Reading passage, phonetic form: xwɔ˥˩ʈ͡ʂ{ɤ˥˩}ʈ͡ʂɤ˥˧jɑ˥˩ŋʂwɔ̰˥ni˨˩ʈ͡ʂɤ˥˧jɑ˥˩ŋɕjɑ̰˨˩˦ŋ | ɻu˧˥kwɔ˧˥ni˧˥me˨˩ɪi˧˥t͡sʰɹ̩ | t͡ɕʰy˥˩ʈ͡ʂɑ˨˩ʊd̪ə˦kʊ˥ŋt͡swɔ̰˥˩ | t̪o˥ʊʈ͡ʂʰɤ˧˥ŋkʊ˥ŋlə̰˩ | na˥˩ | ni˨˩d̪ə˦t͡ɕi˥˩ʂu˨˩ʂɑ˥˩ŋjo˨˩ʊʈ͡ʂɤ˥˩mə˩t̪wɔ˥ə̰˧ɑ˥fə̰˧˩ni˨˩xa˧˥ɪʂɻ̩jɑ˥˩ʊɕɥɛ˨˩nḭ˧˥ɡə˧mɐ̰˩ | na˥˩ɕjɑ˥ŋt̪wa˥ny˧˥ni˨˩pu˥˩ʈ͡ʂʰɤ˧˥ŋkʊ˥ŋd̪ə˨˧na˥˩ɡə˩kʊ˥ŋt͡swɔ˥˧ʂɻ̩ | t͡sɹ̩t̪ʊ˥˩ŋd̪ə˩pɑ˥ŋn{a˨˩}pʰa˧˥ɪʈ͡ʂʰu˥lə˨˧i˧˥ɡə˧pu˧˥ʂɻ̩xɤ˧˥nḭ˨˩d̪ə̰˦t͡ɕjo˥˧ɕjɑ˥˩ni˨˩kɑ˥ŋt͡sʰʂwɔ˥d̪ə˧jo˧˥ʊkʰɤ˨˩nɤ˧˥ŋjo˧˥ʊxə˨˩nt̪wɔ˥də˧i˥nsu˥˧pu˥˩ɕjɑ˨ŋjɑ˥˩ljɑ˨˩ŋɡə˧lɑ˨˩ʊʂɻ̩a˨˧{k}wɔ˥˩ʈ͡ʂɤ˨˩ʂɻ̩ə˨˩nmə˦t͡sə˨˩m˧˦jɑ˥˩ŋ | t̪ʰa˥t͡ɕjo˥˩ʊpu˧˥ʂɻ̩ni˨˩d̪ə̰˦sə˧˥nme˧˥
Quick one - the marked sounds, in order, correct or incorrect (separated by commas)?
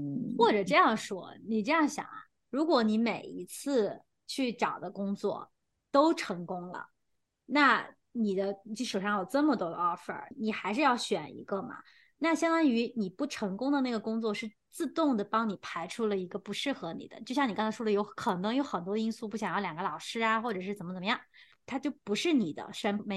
incorrect, incorrect, incorrect